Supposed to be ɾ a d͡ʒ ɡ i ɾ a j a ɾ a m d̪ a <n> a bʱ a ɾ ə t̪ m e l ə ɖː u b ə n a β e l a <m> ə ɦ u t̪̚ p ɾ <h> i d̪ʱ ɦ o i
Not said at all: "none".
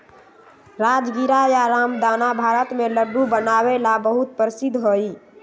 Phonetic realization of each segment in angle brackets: n, b, s

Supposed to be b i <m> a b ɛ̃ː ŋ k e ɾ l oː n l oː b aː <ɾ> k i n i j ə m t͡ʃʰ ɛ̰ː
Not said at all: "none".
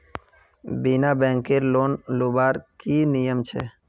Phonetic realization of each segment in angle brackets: n, ɾ

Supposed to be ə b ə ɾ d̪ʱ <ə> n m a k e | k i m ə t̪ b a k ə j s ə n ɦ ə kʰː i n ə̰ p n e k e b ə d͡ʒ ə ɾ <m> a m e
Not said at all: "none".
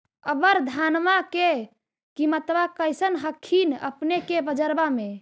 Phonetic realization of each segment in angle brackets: a, b

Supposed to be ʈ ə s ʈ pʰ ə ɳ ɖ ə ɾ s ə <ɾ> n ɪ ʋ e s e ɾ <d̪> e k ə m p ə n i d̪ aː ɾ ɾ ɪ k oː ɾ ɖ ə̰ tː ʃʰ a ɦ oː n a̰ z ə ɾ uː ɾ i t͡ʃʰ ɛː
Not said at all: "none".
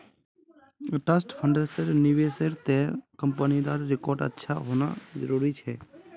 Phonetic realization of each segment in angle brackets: ɾ, t̪

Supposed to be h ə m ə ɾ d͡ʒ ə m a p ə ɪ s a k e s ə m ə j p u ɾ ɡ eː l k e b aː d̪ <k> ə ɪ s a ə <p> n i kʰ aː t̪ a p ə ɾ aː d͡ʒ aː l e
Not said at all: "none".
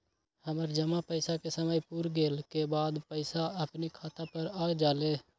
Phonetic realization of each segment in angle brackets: p, p

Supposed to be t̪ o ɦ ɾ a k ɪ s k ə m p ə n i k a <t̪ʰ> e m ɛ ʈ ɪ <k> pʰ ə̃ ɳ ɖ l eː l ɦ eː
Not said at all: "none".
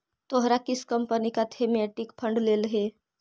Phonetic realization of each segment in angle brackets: t̪ʰ, k

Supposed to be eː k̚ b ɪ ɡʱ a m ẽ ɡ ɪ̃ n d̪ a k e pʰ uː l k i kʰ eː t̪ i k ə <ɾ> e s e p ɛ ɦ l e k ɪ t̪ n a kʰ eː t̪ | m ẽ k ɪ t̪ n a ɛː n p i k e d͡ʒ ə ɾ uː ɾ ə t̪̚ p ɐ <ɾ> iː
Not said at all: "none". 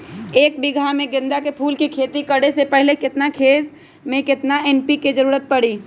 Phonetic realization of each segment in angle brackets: ɽ, ɽ

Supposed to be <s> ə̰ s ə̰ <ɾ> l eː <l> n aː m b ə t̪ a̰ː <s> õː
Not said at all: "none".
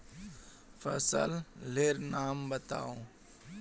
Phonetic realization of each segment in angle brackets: f, l, ɾ, none

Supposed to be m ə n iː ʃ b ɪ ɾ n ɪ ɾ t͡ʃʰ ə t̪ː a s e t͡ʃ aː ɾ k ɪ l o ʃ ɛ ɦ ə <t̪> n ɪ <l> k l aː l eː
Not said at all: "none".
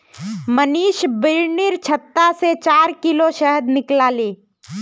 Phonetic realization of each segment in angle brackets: d̪, none

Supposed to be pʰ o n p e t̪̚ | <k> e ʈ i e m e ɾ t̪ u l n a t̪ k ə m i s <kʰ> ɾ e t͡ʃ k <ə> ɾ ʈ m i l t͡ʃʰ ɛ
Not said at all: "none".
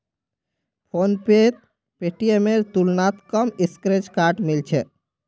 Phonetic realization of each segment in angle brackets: p, k, a

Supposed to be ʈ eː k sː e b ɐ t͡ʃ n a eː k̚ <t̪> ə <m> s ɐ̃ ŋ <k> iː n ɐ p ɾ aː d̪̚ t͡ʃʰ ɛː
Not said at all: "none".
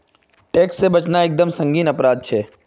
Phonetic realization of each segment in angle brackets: d̪, m, ɡ

